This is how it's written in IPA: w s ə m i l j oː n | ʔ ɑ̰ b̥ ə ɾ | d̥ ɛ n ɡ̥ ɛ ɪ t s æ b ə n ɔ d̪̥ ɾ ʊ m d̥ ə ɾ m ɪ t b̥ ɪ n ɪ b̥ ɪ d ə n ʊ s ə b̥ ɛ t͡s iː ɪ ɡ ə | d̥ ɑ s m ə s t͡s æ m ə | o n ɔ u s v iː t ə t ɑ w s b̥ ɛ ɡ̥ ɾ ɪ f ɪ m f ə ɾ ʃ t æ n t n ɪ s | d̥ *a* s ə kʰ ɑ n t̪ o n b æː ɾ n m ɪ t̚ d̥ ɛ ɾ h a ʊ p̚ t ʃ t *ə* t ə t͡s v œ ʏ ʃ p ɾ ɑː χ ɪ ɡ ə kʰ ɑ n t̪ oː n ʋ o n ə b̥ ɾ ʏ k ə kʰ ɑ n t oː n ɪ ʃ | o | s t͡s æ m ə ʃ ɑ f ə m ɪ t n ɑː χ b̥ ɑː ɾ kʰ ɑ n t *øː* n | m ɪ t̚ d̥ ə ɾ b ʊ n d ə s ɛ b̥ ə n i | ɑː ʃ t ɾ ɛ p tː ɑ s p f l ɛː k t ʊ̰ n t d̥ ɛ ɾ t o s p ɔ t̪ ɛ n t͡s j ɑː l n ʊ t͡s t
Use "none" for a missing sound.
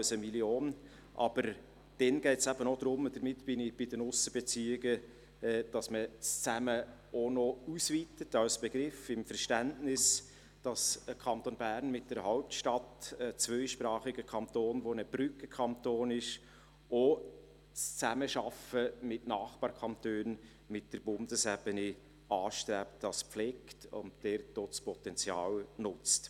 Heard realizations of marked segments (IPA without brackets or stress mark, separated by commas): ɑ, ɑ, øː